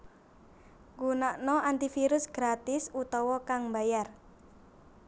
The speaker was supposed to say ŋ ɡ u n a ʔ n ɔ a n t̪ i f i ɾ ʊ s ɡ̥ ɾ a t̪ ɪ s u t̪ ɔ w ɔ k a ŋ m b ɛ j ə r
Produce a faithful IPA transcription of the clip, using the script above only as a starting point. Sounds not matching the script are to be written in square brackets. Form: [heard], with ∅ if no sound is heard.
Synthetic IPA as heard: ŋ ɡ u n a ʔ n ɔ a n t̪ i f i ɾ ʊ s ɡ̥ ɾ a t̪ ɪ s u t̪ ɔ w ɔ k a ŋ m b [a] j [a] r